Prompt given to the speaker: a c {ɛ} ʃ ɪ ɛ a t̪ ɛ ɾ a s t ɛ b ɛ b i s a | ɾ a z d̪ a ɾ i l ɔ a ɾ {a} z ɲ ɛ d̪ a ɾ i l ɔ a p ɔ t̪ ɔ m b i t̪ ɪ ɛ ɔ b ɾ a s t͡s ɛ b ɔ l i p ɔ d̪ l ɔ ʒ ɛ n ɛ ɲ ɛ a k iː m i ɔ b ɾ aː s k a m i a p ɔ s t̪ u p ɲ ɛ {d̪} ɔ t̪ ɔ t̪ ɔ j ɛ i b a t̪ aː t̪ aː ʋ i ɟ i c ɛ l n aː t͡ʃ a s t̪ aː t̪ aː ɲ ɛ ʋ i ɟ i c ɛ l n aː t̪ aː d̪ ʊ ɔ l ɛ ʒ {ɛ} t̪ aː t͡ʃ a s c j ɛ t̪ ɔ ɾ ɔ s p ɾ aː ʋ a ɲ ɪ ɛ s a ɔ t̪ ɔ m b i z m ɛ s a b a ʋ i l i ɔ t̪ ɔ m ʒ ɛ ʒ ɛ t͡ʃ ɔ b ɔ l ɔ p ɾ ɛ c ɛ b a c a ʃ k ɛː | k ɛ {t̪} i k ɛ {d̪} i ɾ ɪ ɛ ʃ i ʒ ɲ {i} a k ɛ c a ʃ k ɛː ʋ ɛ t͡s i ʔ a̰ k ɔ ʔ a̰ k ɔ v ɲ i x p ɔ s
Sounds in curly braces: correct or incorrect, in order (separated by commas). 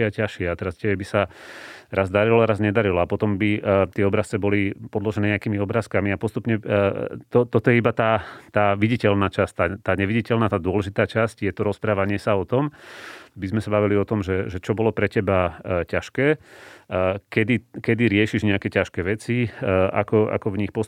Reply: incorrect, correct, incorrect, incorrect, incorrect, correct, incorrect